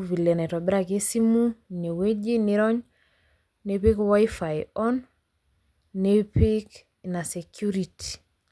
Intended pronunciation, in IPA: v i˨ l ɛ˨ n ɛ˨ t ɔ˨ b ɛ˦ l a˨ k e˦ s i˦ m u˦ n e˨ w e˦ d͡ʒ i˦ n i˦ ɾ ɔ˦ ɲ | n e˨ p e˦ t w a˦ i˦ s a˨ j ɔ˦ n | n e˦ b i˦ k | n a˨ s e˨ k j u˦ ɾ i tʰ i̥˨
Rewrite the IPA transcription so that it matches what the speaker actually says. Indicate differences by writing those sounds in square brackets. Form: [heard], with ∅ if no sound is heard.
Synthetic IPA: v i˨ l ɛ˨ n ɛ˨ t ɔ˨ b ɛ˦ [ɾ] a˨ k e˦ s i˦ m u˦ n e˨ w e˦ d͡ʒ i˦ n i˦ ɾ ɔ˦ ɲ | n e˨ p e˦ [k] w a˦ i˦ [f] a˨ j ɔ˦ n | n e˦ [p] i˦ k | n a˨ s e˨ k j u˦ ɾ i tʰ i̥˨